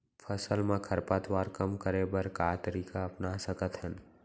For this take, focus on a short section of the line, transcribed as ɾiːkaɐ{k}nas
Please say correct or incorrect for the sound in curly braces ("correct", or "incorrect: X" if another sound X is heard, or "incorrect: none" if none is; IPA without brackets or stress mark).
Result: incorrect: p